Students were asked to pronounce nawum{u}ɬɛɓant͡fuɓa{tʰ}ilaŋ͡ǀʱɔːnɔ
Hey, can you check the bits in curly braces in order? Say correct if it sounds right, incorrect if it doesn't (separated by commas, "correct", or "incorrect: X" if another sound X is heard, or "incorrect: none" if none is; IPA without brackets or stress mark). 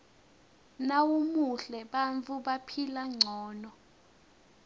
correct, incorrect: pʰ